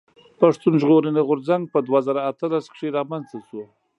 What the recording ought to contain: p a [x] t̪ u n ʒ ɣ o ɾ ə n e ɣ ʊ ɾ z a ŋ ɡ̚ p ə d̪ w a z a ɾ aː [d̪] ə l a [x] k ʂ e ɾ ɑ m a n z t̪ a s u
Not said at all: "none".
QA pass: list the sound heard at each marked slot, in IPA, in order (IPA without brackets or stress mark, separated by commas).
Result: ʂ, t̪, s